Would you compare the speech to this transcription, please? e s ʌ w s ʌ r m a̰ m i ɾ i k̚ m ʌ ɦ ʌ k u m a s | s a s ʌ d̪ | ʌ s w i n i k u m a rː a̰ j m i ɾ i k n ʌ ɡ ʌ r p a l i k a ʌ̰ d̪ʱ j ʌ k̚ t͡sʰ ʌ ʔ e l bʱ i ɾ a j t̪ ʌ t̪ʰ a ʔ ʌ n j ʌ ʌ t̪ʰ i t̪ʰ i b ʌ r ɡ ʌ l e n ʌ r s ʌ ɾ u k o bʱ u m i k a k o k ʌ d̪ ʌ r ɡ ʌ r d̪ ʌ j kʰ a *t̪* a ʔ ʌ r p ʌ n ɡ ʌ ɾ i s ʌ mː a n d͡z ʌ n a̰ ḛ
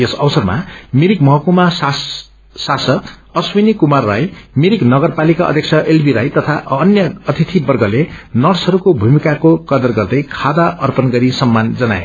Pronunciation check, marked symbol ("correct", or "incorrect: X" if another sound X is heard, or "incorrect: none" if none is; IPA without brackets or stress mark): incorrect: d̪